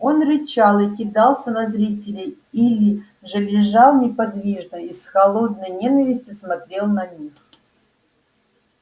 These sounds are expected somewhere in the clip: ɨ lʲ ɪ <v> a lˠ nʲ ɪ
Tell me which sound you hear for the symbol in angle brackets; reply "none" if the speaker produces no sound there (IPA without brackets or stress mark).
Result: ʐ